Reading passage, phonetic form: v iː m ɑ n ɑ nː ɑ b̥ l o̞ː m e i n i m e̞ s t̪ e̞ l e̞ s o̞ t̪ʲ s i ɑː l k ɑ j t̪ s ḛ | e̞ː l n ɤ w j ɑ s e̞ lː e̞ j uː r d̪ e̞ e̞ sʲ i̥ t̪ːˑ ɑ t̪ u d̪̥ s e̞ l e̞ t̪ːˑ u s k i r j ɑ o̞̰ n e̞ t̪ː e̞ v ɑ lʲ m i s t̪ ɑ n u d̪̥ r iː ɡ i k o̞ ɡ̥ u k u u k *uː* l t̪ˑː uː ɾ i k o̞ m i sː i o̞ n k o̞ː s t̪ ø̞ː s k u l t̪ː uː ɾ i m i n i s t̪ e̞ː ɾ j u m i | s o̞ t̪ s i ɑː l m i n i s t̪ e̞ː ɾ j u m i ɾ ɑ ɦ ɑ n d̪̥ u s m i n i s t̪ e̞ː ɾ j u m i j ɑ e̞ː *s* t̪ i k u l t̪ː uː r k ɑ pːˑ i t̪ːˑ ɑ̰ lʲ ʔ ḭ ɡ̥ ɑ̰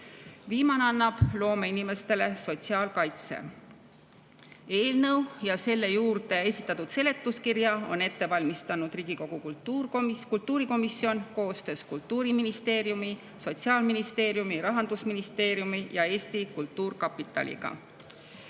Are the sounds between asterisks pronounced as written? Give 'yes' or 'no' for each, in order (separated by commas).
no, yes